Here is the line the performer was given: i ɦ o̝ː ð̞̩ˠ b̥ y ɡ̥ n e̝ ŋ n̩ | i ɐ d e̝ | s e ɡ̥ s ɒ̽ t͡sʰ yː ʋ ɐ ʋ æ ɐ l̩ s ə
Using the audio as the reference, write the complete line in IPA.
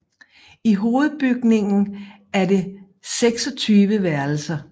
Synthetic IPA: i ɦ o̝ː ð̞̩ˠ b̥ y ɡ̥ n e̝ ŋ n̩ | æ ɐ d e̝ | s e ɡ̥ s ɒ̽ t͡sʰ yː ʋ ə ʋ æ ɐ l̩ s ɐ